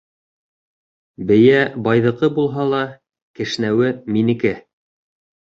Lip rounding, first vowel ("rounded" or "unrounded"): unrounded